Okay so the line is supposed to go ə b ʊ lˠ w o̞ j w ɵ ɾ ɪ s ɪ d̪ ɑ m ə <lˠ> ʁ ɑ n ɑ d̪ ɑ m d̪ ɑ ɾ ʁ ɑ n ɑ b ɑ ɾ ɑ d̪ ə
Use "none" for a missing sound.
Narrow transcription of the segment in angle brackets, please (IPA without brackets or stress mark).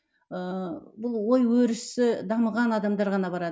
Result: none